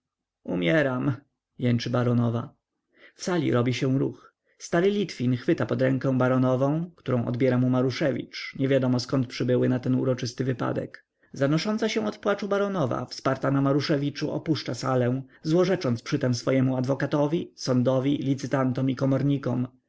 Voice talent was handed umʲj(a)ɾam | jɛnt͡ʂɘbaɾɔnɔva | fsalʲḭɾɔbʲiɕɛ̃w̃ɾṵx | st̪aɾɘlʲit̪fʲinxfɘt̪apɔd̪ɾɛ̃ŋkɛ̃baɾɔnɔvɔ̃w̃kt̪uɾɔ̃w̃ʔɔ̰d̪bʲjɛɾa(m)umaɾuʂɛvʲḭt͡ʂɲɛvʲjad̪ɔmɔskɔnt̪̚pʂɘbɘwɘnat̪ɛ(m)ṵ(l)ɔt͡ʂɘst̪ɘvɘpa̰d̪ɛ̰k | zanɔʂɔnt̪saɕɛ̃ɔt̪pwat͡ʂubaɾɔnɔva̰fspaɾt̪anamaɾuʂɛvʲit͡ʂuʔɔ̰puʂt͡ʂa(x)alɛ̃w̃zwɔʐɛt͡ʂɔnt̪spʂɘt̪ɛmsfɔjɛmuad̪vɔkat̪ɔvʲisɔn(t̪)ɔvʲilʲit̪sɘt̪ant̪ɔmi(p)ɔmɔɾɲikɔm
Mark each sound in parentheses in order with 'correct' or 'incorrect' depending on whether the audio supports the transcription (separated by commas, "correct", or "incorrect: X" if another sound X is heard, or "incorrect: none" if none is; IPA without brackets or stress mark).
incorrect: ɛ, correct, incorrect: n, incorrect: ɾ, incorrect: s, incorrect: d̪, incorrect: k